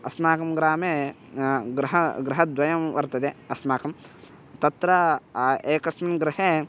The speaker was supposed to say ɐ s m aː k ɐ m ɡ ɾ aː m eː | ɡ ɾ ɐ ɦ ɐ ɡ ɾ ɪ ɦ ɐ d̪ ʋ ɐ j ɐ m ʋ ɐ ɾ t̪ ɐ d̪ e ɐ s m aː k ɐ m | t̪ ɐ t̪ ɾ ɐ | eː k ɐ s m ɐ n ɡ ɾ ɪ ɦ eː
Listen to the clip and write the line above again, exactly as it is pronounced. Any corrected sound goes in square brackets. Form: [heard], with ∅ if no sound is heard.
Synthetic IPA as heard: ɐ s m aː k ɐ m ɡ ɾ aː m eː | ɡ ɾ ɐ ɦ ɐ ɡ ɾ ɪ ɦ ɐ d̪ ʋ ɐ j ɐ m ʋ ɐ ɾ t̪ ɐ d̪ e ɐ s m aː k ɐ m | t̪ ɐ t̪ ɾ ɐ | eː k ɐ s m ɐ n ɡ ɾ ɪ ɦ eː